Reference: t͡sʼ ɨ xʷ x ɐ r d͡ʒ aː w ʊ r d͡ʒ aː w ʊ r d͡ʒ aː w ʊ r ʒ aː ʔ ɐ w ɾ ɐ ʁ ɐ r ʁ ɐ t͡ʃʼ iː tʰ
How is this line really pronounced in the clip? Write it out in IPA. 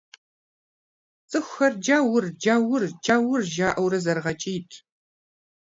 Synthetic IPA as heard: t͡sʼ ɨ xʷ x ɐ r d͡ʒ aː w ʊ r d͡ʒ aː w ʊ r d͡ʒ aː w ʊ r ʒ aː ʔ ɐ w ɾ ɐ z ɐ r ʁ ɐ t͡ʃʼ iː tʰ